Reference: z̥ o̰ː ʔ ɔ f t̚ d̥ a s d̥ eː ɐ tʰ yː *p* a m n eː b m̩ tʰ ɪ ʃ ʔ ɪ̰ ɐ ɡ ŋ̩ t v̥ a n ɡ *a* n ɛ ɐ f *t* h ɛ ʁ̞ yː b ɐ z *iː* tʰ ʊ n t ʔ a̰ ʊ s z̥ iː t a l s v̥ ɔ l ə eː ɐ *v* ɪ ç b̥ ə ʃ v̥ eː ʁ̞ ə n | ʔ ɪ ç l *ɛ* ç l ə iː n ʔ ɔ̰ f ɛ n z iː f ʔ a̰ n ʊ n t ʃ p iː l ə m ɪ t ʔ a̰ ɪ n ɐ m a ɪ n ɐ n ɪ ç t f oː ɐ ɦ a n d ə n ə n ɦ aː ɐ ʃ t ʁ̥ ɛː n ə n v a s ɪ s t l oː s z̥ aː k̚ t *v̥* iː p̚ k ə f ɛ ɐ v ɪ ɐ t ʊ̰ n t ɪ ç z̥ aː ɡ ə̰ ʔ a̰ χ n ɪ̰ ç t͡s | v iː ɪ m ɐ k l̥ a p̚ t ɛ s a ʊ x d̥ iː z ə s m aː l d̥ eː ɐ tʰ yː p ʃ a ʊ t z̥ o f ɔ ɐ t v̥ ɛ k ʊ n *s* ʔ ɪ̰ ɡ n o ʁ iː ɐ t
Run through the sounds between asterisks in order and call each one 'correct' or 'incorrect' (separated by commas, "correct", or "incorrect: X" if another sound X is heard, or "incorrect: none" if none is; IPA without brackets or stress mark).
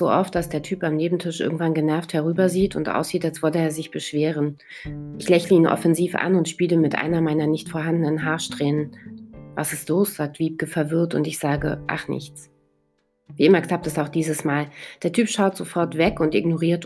correct, incorrect: ə, correct, correct, incorrect: z, correct, correct, incorrect: t